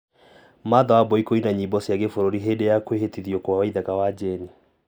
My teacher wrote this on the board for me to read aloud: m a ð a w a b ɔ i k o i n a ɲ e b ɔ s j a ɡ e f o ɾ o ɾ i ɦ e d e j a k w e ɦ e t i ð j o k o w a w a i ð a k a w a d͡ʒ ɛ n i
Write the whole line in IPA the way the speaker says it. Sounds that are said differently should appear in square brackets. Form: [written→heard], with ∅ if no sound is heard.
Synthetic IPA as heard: m a ð a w a b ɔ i k o i n a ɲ [e→i] b ɔ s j a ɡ e f o ɾ o ɾ i ɦ e d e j a k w e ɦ e t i ð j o k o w a w a i ð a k a w a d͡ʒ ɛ n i